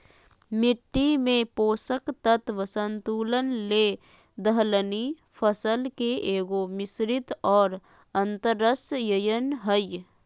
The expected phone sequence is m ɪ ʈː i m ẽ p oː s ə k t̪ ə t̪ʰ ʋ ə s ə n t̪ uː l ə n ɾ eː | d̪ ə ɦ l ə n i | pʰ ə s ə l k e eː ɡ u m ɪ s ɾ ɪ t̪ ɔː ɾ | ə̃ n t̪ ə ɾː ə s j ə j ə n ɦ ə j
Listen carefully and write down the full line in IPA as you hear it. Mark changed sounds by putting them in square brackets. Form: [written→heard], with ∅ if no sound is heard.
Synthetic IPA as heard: m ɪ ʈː i m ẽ p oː s ə k t̪ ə [t̪ʰ→t̪] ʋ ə s ə n t̪ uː l ə n [ɾ→l] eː | d̪ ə ɦ l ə n i | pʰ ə s ə l k e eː ɡ [u→o] m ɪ s ɾ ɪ t̪ ɔː ɾ | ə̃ n t̪ ə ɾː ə s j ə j ə n ɦ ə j

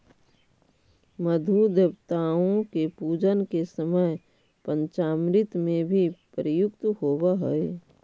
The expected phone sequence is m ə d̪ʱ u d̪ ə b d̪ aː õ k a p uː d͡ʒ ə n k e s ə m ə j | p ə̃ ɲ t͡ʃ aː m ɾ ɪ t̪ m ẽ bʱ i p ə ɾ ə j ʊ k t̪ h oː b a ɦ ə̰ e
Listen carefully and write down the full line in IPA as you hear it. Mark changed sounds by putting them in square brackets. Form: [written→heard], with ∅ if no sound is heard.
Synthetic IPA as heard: m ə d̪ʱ u d̪ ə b [d̪→t̪] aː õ k [a→e] p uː d͡ʒ ə n k e s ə m ə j | p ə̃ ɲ t͡ʃ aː m ɾ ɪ t̪ m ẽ bʱ i p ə ɾ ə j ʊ k t̪ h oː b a ɦ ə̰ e

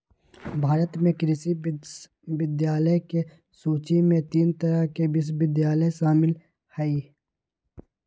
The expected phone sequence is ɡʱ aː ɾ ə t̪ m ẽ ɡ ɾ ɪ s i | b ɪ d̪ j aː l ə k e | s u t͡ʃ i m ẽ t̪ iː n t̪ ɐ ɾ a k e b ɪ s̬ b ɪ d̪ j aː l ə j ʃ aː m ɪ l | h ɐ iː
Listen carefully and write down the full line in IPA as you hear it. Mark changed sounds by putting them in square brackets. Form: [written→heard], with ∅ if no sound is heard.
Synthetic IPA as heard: [ɡʱ→bʱ] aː ɾ ə t̪ m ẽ [ɡ→k] ɾ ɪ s i | b ɪ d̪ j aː l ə k e | s [u→uː] t͡ʃ i m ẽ t̪ iː n t̪ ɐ ɾ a k e b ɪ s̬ b ɪ d̪ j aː l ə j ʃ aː m ɪ l | h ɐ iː

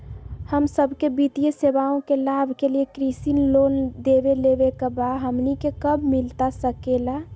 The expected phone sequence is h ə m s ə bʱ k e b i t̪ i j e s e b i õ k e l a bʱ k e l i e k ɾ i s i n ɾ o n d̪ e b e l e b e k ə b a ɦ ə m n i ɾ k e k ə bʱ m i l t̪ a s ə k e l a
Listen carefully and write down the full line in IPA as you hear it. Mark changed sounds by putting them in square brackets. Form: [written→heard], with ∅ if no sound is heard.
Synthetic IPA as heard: h ə m s ə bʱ k e b i t̪ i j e s e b [i→a] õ k e l a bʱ k e l i e k ɾ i s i n [ɾ→l] o n d̪ e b e l e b e k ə b a ɦ ə m n i [ɾ→∅] k e k ə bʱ m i l t̪ a s ə k e l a

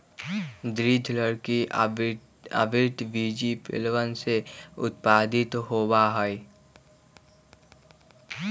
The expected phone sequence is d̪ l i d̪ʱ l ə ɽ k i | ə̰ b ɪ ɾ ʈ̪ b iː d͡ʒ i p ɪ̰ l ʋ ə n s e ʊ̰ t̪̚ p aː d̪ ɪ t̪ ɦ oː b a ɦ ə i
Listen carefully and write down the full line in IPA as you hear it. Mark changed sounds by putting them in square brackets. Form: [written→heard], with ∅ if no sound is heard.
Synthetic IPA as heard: d̪ [l→ɾ] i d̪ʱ l ə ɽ k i | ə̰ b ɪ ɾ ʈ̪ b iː d͡ʒ i p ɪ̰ l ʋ ə n s e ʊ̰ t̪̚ p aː d̪ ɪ t̪ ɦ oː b a ɦ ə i

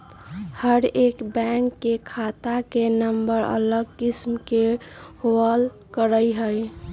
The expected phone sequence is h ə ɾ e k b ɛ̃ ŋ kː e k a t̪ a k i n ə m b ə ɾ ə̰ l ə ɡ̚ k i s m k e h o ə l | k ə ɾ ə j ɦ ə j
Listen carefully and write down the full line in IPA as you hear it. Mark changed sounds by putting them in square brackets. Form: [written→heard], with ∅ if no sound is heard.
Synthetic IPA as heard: h ə ɾ e k b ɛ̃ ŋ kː e [k→kʰ] a t̪ a k [i→e] n ə m b ə ɾ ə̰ l ə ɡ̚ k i s m k e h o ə l | k ə ɾ ə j ɦ ə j

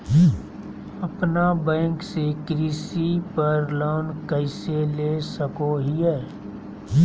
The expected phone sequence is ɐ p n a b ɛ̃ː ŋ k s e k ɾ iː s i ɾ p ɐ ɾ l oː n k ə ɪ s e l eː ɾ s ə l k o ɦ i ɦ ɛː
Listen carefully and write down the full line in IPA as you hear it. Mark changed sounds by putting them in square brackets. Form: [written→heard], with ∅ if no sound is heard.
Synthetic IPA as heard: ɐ p n a b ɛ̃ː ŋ k s e k ɾ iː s i [ɾ→∅] p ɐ ɾ l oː n k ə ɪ s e l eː [ɾ→∅] s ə [l→∅] k o ɦ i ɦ ɛː

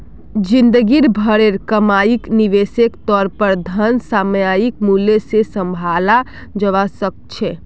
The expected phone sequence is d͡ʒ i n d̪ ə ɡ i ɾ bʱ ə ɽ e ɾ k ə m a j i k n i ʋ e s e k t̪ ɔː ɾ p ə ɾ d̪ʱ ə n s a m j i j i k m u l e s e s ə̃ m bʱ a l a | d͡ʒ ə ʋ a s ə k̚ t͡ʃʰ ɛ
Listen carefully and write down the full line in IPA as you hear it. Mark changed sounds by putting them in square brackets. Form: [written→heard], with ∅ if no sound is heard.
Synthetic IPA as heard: d͡ʒ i n d̪ ə ɡ i ɾ bʱ ə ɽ e ɾ k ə m a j i k n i ʋ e s e k t̪ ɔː ɾ p ə ɾ d̪ʱ ə n s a m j [i→a] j i k m u l e s e s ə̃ m bʱ a l a | d͡ʒ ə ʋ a s ə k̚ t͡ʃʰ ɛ

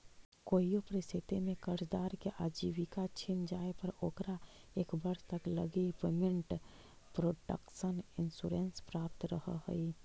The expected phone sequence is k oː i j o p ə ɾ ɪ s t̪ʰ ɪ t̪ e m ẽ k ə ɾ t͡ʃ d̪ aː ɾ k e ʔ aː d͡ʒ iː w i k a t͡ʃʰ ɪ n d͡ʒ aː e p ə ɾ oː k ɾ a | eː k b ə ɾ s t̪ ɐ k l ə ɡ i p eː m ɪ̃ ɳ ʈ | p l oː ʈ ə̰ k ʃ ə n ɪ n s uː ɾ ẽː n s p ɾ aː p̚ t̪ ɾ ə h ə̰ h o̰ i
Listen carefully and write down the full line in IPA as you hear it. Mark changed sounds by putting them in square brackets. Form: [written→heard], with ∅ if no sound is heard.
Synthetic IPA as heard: k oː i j o p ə ɾ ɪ s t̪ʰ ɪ t̪ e m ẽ k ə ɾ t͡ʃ d̪ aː ɾ k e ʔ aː d͡ʒ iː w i k a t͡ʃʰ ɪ n d͡ʒ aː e p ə ɾ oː k ɾ a | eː k b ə ɾ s t̪ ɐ k l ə ɡ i p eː m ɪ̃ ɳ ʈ | p [l→ɾ] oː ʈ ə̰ k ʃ ə n ɪ n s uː ɾ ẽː n s p ɾ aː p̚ t̪ ɾ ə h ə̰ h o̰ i

